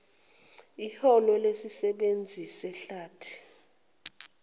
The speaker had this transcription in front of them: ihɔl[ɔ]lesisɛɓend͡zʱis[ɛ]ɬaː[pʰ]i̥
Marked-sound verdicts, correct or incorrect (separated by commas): correct, correct, incorrect